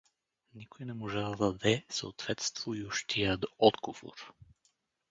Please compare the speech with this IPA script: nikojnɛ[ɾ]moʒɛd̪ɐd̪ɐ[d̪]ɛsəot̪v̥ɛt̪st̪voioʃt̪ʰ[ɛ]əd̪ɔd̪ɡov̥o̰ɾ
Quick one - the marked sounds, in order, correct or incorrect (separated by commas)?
incorrect, correct, incorrect